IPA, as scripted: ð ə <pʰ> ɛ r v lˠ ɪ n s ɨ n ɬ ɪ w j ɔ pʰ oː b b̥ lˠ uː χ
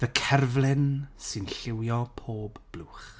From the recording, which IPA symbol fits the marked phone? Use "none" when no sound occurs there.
kʰ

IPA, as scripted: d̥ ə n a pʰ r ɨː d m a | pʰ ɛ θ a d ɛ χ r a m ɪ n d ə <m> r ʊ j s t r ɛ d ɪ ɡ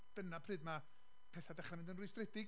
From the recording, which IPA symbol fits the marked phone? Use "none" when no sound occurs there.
n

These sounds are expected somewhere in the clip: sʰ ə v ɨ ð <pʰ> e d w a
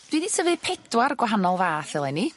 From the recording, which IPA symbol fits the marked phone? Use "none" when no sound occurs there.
pʰ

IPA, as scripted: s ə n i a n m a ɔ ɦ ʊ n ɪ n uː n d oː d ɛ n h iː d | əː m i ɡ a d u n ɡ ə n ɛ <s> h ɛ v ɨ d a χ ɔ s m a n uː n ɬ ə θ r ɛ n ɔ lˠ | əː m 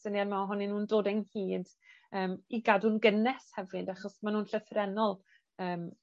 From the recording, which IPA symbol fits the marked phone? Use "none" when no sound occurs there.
s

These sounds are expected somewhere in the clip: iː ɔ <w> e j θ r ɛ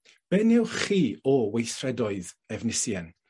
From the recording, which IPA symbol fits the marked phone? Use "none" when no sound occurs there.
w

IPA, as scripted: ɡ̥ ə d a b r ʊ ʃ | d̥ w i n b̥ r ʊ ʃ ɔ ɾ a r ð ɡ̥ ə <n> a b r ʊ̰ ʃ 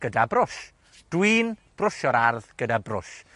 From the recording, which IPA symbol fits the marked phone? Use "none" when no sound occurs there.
d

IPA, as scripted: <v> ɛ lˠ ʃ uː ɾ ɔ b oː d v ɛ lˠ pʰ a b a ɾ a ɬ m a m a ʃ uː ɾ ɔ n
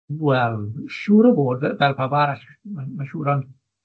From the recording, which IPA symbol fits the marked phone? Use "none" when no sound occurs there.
w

